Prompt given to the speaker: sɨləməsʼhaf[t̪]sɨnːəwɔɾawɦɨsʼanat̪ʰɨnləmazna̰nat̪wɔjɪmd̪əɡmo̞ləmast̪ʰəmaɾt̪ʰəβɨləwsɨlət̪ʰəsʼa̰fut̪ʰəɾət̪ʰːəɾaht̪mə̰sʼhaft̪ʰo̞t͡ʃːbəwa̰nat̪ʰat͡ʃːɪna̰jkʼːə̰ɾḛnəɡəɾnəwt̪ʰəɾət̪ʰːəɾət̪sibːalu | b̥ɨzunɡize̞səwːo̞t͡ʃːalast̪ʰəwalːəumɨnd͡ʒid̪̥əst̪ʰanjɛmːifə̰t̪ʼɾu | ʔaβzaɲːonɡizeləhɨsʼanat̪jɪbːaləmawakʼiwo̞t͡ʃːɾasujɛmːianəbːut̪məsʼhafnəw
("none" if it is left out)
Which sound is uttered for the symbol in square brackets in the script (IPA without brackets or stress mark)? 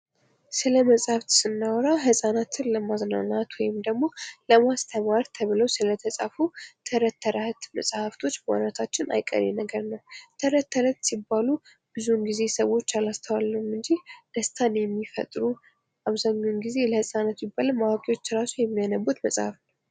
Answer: t̪